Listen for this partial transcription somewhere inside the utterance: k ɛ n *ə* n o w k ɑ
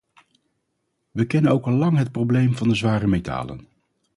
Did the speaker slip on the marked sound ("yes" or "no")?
no